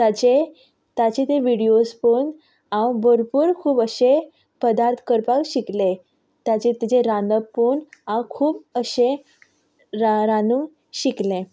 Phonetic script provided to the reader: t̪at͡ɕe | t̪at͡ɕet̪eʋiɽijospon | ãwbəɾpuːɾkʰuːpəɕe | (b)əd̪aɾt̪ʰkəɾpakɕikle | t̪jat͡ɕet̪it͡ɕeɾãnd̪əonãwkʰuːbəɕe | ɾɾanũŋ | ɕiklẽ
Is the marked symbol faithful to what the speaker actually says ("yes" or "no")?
no